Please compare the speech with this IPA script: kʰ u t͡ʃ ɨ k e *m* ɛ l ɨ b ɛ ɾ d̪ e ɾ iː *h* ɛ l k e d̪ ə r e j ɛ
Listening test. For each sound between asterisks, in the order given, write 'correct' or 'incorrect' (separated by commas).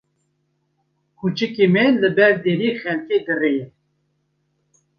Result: correct, incorrect